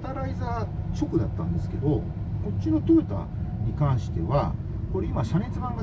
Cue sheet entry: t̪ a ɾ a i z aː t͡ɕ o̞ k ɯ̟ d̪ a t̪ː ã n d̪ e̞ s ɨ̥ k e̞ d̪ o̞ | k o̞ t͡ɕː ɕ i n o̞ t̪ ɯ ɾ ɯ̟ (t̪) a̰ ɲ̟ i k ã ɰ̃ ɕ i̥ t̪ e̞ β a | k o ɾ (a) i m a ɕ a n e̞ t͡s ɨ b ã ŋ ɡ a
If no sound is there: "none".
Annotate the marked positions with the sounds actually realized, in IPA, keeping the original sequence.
t̪, e

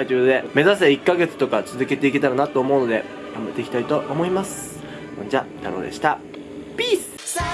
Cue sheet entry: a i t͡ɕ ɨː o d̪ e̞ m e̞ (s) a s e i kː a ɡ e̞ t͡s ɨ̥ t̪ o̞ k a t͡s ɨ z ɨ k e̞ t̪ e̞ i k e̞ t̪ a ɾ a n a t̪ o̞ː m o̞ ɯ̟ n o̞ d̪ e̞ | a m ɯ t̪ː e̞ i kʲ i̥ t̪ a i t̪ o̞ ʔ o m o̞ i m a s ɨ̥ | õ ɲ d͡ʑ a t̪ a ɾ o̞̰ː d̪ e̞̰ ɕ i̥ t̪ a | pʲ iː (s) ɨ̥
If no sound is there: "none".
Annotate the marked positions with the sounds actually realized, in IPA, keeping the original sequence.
z, s

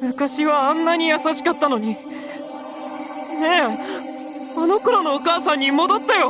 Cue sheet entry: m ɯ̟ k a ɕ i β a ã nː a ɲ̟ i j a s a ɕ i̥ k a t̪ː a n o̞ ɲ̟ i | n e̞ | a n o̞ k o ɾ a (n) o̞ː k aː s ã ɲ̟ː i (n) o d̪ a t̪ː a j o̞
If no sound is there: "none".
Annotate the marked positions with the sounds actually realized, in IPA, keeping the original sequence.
n, m

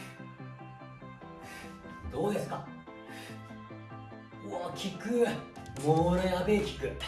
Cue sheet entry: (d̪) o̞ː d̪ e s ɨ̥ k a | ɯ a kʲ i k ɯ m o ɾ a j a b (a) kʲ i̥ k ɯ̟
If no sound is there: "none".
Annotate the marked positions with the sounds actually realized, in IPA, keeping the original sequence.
d̪, e

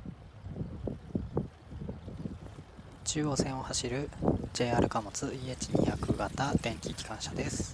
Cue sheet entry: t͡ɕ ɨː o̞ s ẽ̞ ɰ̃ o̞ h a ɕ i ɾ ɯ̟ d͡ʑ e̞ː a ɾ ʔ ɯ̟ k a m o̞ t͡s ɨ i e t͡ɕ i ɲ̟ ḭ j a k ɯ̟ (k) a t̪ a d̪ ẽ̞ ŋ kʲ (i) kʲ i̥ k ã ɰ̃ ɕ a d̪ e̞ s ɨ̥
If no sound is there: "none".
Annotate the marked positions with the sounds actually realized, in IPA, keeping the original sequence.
ɡ, i

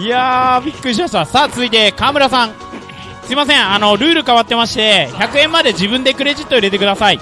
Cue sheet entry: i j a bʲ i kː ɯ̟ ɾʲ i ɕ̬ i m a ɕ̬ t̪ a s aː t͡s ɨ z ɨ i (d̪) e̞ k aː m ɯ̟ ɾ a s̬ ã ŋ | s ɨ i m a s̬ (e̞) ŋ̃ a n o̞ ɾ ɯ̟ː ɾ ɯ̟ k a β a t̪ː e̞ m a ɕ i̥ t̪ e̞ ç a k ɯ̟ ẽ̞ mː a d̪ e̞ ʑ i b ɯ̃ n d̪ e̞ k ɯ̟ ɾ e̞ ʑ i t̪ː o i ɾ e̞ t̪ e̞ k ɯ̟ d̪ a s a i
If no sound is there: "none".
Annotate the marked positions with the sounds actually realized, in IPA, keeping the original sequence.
t̪, ẽ̞

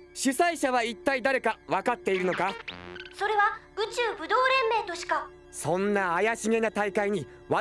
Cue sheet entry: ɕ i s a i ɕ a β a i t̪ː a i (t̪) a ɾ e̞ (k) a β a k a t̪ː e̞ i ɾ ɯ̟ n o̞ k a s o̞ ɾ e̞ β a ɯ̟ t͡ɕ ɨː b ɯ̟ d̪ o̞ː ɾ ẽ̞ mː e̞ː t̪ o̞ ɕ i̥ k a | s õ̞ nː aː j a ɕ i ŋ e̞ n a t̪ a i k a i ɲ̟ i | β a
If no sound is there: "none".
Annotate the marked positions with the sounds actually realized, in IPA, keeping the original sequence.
d̪, k

